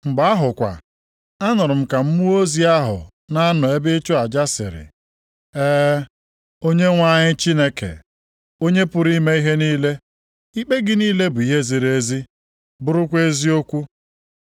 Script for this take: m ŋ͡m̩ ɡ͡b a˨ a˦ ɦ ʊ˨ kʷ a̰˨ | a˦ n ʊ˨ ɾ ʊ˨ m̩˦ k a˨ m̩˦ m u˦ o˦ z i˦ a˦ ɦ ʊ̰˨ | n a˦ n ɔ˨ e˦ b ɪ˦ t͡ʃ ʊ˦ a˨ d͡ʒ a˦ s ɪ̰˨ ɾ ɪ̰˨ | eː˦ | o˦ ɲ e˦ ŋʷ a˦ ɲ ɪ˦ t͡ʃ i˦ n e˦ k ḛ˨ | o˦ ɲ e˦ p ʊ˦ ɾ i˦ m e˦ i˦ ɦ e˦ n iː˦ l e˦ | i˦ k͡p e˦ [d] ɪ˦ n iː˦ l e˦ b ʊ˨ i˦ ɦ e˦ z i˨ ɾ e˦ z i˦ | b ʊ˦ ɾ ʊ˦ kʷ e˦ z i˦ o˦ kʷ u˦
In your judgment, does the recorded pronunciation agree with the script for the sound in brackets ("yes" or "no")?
no